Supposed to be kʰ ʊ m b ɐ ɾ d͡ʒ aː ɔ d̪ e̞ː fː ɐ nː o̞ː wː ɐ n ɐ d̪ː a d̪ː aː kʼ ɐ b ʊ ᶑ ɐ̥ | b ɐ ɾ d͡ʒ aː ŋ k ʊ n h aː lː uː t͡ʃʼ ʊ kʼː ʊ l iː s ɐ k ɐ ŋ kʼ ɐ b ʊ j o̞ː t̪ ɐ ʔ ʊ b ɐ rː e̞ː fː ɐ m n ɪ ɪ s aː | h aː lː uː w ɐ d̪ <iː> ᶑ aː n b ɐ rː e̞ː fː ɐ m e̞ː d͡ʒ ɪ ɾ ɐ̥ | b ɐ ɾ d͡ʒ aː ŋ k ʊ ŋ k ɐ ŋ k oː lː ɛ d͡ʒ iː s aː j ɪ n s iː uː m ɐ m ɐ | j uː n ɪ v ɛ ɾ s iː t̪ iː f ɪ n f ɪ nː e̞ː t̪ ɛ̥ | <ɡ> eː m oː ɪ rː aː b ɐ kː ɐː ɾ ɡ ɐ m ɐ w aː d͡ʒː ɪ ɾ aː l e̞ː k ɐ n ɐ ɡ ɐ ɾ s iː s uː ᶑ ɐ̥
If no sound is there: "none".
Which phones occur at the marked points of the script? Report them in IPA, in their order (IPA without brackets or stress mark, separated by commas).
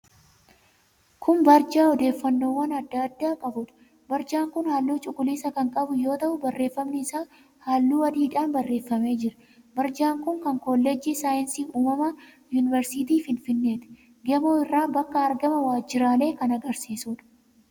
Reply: iː, ɡ